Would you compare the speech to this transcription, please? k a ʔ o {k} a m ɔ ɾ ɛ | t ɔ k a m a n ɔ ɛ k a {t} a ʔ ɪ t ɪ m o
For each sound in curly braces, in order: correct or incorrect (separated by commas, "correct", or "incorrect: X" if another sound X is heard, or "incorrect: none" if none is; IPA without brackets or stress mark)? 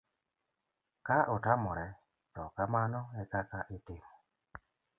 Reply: incorrect: t, incorrect: k